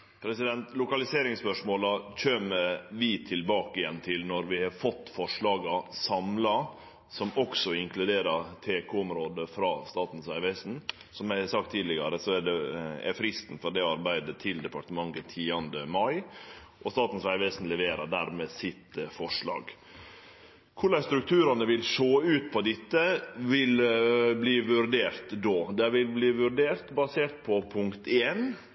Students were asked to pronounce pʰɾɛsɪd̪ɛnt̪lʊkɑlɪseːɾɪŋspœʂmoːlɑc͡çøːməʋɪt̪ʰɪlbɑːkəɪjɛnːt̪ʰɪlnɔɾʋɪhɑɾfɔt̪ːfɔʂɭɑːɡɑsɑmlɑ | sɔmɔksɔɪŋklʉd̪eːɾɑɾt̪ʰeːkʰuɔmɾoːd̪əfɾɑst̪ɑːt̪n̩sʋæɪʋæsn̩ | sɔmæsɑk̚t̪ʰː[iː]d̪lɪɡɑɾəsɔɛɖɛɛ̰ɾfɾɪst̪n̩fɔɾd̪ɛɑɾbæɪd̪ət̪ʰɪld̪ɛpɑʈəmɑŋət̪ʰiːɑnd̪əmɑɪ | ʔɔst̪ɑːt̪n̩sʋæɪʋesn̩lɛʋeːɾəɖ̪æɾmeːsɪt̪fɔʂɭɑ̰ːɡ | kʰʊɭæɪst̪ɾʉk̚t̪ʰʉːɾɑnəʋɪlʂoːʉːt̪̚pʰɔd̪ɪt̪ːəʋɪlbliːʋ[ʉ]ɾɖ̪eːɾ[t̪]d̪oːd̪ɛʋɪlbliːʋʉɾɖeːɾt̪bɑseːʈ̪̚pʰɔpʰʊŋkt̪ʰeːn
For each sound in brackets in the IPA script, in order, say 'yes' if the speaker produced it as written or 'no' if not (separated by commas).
yes, yes, yes